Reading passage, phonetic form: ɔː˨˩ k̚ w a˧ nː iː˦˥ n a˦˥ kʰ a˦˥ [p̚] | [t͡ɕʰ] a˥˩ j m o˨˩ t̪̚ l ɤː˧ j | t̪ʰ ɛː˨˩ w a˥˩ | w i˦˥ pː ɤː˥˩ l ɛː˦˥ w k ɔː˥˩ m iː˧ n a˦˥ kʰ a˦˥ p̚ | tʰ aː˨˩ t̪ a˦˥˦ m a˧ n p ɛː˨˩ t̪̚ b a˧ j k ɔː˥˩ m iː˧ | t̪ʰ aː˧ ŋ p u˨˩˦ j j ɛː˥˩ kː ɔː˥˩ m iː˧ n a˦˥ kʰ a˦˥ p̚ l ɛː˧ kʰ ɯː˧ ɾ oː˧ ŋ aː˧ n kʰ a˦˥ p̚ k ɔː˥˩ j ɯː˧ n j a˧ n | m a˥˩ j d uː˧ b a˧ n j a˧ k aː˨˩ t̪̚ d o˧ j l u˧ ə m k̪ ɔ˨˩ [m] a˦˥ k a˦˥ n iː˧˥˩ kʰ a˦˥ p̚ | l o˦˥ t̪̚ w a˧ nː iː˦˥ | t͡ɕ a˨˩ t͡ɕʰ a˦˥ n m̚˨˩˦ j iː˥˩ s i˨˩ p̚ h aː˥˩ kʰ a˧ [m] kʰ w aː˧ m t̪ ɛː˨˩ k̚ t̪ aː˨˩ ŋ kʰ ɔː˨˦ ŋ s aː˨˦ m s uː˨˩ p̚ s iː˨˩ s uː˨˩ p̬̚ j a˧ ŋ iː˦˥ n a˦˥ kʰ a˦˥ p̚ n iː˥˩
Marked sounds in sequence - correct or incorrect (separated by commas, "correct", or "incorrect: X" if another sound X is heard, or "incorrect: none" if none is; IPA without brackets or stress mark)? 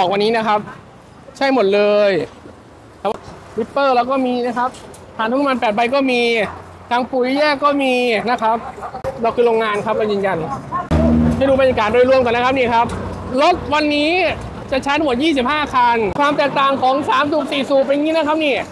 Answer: correct, correct, incorrect: n, incorrect: n